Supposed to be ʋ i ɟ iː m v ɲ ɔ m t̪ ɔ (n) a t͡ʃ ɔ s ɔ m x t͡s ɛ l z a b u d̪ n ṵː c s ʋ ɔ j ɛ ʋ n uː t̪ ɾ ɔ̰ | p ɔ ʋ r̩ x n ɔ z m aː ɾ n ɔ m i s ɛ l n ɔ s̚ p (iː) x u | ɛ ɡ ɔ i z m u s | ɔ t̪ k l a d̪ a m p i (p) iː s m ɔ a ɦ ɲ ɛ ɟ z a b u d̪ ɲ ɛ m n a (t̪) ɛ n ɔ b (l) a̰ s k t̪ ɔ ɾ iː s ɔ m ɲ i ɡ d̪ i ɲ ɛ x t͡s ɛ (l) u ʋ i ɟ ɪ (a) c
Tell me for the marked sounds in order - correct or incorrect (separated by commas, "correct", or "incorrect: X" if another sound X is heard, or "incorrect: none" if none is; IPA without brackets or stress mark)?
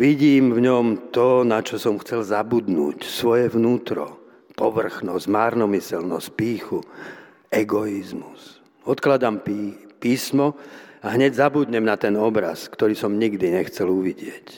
correct, correct, correct, correct, incorrect: ɾ, correct, incorrect: ɛ